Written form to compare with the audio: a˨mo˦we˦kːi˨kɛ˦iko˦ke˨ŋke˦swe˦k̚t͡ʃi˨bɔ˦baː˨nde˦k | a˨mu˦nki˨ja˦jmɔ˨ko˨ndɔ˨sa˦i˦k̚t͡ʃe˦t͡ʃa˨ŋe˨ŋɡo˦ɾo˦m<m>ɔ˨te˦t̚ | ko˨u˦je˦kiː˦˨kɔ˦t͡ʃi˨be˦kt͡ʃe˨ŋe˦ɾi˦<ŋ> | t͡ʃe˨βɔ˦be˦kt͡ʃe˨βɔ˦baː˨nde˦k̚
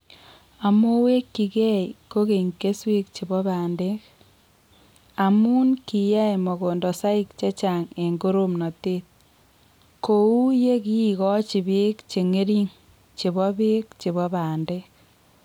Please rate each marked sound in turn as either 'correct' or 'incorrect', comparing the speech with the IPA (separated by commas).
incorrect, correct